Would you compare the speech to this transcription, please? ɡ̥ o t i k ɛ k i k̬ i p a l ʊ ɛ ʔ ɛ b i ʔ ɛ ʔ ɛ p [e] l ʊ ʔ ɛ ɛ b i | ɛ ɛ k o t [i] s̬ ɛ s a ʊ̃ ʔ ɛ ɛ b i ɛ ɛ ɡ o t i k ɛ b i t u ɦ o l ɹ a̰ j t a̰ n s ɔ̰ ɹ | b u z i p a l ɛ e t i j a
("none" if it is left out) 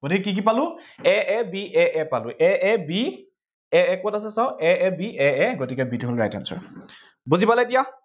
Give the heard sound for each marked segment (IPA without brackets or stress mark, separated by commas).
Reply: a, a